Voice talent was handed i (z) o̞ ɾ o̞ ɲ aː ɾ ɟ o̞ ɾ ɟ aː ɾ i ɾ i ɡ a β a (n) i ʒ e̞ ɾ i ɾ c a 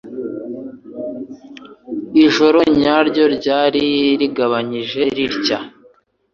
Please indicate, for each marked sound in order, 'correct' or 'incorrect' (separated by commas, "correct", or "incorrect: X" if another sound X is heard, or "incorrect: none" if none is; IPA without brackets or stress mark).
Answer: incorrect: ʒ, incorrect: ɲ